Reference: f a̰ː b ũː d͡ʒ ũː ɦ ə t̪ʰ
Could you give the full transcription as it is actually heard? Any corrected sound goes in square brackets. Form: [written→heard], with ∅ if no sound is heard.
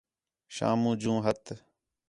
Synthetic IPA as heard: [f→ʃ] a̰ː [b→m] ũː d͡ʒ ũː ɦ ə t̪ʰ